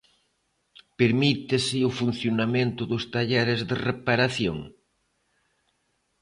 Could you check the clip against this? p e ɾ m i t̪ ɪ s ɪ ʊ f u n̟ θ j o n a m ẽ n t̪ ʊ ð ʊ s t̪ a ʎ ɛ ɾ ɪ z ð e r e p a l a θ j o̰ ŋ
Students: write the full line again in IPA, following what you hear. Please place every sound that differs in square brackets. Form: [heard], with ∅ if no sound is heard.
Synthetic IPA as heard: p e ɾ m i t̪ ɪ s ɪ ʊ f u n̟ θ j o n a m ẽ n t̪ ʊ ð ʊ s t̪ a ʎ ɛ ɾ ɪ z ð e r e p a [ɾ] a θ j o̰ ŋ